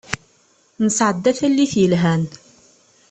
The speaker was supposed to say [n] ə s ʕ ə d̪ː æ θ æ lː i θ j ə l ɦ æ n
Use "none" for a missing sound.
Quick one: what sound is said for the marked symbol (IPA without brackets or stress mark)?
n